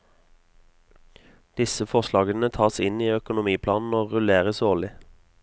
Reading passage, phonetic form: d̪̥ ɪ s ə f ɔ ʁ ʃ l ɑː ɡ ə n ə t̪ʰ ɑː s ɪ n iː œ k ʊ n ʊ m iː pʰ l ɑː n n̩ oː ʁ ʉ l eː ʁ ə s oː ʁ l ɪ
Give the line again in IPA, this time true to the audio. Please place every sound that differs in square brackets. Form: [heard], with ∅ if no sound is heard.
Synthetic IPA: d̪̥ ɪ s ə f ɔ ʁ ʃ l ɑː ɡ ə n ə t̪ʰ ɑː s ɪ n iː œ k ʊ n ʊ m iː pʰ l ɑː n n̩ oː ʁ ʉ l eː ʁ ə s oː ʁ l ɪ